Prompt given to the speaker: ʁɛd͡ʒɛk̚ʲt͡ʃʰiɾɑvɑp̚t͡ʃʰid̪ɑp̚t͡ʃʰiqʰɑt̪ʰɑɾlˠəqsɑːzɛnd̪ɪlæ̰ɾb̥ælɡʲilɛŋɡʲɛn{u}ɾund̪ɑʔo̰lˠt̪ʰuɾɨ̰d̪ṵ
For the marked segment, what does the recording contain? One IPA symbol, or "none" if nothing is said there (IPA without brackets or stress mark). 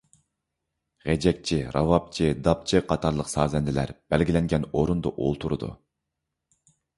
o